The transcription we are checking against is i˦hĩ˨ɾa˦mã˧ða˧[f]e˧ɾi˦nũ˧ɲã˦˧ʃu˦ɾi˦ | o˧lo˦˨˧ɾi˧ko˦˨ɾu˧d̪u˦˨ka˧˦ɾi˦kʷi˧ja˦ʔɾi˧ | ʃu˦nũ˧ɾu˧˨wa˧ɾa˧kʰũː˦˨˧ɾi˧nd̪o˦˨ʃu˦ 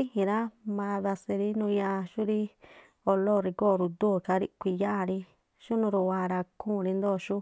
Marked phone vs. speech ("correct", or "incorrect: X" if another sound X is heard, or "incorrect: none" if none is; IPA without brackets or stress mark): incorrect: s